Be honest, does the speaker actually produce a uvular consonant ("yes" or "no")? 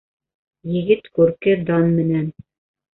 no